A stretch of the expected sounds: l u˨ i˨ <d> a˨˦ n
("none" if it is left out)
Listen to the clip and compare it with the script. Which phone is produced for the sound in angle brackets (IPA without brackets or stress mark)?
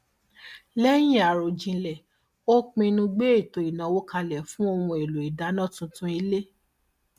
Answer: d